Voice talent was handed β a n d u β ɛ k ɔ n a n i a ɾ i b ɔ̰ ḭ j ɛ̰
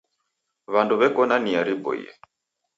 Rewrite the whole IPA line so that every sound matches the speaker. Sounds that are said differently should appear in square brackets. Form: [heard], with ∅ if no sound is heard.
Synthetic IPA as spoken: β a n d u β ɛ k ɔ n a n i a ɾ i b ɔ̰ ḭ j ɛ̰